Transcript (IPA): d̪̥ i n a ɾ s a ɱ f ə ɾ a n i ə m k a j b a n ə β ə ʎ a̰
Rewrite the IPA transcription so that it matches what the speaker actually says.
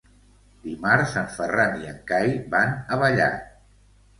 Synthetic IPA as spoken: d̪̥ i m a ɾ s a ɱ f ə r a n i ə ŋ k a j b a n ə β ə ʎ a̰